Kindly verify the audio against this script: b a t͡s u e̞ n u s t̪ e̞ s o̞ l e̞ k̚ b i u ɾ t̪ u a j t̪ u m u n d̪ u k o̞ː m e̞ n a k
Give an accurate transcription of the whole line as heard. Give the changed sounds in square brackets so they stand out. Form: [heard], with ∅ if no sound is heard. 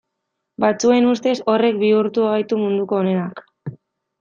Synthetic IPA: b a t͡s u e̞ n u s t̪ e̞ s o̞ [r] e̞ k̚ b i u ɾ t̪ u a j t̪ u m u n d̪ u k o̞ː [n] e̞ n a k